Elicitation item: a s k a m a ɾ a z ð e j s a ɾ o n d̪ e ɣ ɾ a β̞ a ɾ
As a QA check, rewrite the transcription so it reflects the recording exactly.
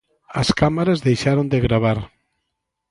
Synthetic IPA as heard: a s k a m a ɾ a z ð e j ʃ a ɾ o n d̪ e ɣ ɾ a β̞ a ɾ